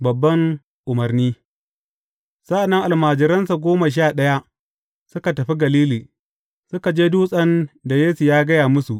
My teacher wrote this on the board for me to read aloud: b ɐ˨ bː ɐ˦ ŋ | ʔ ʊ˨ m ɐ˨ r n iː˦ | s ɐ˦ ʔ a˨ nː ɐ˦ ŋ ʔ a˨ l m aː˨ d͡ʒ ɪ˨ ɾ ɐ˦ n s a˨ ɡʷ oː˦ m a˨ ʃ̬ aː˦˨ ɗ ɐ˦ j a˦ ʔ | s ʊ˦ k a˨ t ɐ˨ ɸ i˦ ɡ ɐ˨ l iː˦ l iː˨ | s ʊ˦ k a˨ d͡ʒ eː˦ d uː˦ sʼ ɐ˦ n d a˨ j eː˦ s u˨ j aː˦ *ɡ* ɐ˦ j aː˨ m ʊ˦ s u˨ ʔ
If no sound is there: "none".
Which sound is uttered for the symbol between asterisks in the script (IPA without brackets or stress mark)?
ɡ